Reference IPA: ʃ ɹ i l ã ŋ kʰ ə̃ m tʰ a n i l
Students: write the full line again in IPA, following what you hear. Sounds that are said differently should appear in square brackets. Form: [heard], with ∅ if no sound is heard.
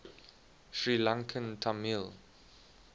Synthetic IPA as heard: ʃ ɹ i l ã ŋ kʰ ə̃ [n] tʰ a [m] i l